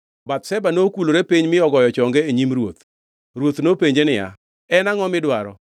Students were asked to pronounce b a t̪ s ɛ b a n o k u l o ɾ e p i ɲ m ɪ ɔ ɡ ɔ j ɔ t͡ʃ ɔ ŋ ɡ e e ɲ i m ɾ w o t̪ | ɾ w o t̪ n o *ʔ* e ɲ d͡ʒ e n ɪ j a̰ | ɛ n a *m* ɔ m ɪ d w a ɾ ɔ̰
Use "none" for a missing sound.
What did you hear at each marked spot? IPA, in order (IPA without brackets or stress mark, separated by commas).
p, ŋ